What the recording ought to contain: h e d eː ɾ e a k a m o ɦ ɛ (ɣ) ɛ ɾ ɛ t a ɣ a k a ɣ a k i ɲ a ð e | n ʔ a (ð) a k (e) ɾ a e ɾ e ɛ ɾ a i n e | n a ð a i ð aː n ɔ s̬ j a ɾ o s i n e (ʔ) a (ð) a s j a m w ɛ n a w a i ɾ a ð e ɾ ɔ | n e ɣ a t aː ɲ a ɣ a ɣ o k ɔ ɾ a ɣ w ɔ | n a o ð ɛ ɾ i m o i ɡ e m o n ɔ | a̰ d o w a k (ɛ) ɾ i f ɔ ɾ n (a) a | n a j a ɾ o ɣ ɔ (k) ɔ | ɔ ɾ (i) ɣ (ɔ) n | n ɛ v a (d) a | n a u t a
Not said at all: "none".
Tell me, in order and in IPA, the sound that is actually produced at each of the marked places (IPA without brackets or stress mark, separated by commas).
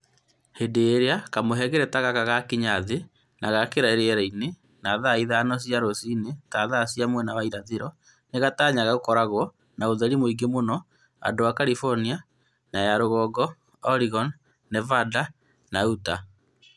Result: ɣ, ɣ, e, t, ð, a, i, ɡ, i, ɔ, d